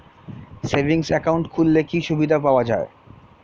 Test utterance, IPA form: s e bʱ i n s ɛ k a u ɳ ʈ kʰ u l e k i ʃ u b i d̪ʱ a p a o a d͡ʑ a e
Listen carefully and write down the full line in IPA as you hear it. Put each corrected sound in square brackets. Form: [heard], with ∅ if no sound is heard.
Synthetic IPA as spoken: s e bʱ i [ŋ] s ɛ k a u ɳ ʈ kʰ u [lː] e k i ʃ u b i d̪ʱ a p a o a d͡ʑ a e